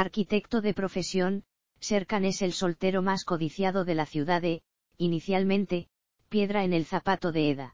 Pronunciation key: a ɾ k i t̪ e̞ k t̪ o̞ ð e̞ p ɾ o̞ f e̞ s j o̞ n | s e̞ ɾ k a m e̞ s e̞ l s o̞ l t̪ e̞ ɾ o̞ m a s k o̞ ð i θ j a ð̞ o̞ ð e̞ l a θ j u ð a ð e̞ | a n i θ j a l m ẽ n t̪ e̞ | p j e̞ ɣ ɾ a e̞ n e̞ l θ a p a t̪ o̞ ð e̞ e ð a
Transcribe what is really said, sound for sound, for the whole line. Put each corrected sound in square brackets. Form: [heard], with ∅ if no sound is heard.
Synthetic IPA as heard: a ɾ k i t̪ e̞ k t̪ o̞ ð e̞ p ɾ o̞ f e̞ s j o̞ n | s e̞ ɾ k a [n] e̞ s e̞ l s o̞ l t̪ e̞ ɾ o̞ m a s k o̞ ð i θ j a ð̞ o̞ ð e̞ l a θ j u ð a ð e̞ | [i] n i θ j a l m ẽ n t̪ e̞ | p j e̞ [ð] ɾ a e̞ n e̞ l θ a p a t̪ o̞ ð e̞ e ð a